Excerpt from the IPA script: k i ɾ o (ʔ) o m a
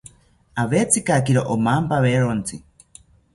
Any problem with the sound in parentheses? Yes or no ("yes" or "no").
no